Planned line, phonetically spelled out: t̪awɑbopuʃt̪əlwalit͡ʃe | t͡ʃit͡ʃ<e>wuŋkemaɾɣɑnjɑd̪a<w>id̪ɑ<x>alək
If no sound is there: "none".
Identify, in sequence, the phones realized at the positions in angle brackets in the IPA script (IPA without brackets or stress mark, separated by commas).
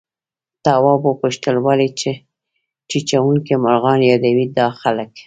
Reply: a, w, x